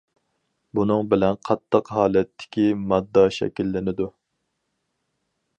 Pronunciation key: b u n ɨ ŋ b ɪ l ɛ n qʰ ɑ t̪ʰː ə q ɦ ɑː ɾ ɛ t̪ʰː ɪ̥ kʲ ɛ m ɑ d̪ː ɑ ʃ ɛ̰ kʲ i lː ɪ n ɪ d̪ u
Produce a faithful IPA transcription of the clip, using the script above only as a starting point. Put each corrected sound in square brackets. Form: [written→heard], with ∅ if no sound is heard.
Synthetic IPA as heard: b u n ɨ ŋ b ɪ l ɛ n qʰ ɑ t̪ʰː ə q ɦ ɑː [ɾ→l] ɛ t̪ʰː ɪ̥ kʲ [ɛ→i] m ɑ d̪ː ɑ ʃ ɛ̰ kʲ i lː ɪ n ɪ d̪ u